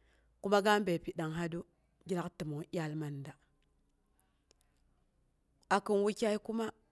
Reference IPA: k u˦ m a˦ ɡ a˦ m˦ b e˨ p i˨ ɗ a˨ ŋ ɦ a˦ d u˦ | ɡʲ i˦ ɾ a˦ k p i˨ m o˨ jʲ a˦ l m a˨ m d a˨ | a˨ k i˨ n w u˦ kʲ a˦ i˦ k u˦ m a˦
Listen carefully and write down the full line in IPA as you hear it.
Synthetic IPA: k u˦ m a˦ ɡ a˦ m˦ b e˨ p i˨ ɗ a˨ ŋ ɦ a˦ d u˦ | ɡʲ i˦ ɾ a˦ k t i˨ m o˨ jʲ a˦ l m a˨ n d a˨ | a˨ k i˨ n w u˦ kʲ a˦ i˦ k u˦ m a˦